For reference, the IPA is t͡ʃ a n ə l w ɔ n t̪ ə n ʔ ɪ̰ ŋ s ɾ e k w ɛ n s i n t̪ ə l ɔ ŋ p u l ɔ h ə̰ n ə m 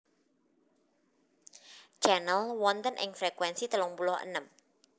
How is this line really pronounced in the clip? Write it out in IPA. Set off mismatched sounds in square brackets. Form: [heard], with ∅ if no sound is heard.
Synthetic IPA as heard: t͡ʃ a n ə l w ɔ n t̪ ə n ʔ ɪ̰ ŋ [f] ɾ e k w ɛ n s i [∅] t̪ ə l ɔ ŋ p u l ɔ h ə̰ n ə m